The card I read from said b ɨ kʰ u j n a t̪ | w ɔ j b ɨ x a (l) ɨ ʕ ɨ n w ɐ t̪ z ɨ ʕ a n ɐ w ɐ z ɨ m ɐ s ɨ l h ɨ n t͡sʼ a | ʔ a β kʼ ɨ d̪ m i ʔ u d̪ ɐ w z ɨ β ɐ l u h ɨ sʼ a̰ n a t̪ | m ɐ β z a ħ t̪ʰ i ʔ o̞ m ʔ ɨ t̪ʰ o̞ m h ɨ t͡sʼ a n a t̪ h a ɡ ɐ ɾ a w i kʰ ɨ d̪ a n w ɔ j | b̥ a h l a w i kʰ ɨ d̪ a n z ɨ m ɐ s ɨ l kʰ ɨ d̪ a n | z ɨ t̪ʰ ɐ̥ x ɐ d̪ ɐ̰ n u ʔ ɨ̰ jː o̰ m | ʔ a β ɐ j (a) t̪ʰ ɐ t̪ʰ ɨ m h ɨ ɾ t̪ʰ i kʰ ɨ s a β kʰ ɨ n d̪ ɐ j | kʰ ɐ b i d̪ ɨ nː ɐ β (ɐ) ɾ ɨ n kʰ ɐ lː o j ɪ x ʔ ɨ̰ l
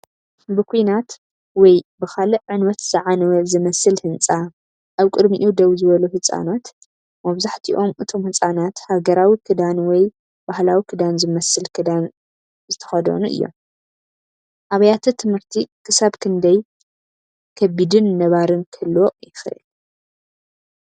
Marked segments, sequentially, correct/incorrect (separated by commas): correct, correct, incorrect